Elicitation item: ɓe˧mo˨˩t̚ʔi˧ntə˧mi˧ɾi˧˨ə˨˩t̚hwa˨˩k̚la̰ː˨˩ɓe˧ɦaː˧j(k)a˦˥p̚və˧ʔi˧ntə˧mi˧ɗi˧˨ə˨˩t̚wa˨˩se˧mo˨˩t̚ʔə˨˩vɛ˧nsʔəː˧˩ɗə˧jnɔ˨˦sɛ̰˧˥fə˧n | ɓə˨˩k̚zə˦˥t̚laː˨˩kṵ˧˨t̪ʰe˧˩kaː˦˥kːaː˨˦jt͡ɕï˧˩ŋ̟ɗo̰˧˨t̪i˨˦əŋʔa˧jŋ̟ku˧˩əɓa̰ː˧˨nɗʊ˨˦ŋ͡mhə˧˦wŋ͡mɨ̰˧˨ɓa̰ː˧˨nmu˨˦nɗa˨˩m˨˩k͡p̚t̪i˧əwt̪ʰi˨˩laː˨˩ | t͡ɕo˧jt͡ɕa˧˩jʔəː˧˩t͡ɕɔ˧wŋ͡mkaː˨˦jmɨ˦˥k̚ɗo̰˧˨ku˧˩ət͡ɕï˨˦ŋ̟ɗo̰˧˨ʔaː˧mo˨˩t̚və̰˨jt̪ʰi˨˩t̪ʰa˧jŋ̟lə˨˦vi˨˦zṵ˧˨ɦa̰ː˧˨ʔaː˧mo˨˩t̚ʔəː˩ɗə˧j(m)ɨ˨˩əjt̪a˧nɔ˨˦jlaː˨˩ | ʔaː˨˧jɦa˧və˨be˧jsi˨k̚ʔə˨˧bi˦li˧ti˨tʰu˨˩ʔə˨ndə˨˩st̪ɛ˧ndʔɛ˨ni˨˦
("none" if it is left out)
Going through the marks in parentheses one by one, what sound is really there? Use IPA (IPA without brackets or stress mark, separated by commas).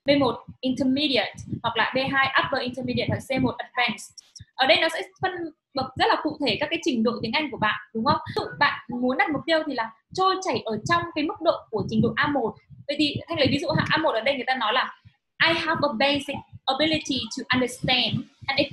ʔ, ŋ